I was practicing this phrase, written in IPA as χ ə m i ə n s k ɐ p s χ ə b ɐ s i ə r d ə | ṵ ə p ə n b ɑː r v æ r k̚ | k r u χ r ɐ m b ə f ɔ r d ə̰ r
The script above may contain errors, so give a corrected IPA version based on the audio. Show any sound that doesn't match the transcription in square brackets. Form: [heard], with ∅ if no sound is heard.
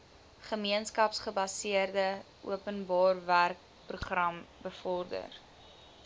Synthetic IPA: χ ə m i ə n s k ɐ p s χ ə b ɐ s i ə r d ə | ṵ ə p ə n b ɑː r v æ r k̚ | [p] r u χ r ɐ m b ə f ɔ r d ə̰ r